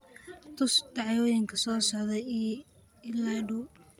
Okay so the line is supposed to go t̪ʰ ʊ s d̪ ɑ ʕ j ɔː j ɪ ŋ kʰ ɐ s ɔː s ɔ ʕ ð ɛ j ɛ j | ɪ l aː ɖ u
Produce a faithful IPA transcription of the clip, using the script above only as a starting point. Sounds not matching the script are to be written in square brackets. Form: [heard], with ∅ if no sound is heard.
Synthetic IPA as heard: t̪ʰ ʊ s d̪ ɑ ʕ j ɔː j ɪ ŋ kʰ ɐ s ɔː s ɔ ʕ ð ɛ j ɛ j | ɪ l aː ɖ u

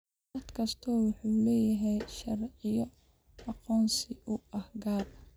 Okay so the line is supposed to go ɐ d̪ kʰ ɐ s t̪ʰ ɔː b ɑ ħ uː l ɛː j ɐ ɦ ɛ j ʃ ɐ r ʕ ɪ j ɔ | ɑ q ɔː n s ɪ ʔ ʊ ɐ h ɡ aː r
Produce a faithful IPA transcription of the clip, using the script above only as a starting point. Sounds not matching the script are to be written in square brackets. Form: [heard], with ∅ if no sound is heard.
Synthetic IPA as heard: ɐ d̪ kʰ ɐ s t̪ʰ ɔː [w] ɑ ħ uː l ɛː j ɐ ɦ ɛ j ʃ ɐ r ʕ ɪ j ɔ | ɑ q ɔː n s ɪ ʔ ʊ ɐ h ɡ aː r

